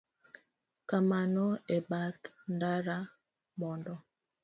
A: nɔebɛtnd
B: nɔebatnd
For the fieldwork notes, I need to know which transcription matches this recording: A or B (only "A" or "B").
B